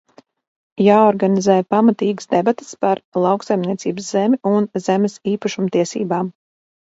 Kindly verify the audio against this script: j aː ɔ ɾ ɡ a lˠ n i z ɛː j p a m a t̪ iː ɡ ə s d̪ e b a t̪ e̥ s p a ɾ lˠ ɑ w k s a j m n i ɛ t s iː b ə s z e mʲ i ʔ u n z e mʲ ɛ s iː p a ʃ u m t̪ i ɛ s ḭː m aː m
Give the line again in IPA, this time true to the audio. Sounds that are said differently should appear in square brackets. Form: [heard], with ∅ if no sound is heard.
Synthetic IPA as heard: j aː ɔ ɾ ɡ a [∅] n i z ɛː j p a m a t̪ iː ɡ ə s d̪ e b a t̪ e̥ s p a ɾ lˠ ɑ w k s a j m n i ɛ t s iː b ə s z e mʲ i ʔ u n z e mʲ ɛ s iː p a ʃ u m t̪ i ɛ s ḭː [b] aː m